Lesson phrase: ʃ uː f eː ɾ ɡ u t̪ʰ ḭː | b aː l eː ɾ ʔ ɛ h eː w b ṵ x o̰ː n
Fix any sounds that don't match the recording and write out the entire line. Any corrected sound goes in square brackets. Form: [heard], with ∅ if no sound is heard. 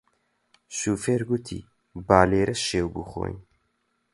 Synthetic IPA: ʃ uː f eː ɾ ɡ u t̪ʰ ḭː | b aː l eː ɾ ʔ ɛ [ʃ] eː w b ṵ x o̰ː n